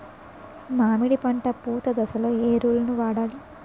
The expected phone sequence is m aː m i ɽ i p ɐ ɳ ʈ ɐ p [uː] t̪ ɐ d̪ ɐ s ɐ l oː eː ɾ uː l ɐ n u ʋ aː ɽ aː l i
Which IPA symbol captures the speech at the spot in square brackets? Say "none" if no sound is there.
uː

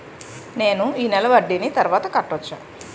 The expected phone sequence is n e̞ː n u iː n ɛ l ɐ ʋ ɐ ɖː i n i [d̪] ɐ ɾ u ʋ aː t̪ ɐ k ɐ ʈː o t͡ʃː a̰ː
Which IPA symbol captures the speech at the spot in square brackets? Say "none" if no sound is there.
t̪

